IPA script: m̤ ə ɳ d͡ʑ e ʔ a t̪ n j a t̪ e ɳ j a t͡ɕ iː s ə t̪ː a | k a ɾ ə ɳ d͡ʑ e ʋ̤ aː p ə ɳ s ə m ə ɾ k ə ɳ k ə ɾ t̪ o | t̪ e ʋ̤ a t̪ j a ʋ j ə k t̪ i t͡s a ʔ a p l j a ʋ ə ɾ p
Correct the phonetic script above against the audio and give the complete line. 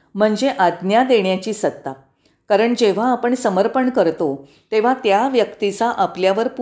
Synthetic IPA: m̤ ə ɳ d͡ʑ e ʔ a d̪ n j a d̪ e ɳ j a t͡ɕ iː s ə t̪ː a | k a ɾ ə ɳ d͡ʑ e ʋ̤ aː p ə ɳ s ə m ə ɾ p ə ɳ k ə ɾ t̪ o | t̪ e ʋ̤ a t̪ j a ʋ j ə k t̪ i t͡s a ʔ a p l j a ʋ ə ɾ p